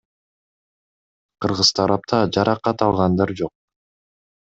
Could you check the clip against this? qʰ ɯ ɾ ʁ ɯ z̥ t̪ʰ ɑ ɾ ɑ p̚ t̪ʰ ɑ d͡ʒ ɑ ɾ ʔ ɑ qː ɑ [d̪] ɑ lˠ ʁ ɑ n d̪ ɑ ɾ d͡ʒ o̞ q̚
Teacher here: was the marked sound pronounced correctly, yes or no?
no